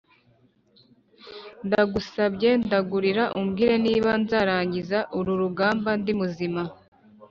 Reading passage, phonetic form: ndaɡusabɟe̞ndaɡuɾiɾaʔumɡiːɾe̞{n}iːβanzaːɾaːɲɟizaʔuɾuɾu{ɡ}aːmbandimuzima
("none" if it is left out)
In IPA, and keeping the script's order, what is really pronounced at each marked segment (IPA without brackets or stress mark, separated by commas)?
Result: n, ɡ